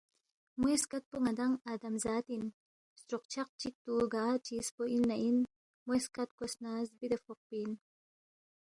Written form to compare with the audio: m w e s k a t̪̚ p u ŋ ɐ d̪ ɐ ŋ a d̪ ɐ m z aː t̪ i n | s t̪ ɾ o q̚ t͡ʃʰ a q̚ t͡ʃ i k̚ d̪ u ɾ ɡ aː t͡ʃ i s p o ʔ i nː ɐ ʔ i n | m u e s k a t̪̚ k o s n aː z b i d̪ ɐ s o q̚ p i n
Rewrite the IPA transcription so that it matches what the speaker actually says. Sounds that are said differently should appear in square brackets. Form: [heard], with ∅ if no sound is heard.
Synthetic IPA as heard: m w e s k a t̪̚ p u ŋ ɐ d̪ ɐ ŋ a d̪ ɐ m z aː t̪ i n | s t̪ ɾ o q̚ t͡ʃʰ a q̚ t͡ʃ i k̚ [t̪] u [∅] ɡ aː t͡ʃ i s p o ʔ i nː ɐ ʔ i n | m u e s k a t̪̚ k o s n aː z b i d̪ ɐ [f] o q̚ p i n